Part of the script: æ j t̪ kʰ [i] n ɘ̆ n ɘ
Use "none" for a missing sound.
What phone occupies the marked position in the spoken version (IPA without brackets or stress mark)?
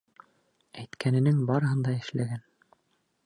æ